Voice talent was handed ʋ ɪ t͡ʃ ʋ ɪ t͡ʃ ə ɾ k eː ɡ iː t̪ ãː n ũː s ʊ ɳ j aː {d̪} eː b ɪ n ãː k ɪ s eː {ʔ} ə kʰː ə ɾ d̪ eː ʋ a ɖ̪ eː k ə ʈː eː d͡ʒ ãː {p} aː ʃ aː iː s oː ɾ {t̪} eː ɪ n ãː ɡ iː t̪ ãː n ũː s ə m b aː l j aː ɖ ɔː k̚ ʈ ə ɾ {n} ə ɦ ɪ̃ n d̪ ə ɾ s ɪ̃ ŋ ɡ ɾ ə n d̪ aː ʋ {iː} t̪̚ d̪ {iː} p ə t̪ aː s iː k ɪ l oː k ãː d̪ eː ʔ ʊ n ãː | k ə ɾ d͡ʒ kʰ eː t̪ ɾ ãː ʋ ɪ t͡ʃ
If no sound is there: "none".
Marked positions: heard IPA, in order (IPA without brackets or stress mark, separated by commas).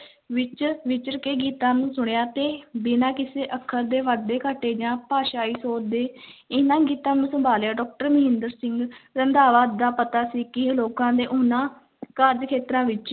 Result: t̪, ʔ, p, d̪, m, aː, aː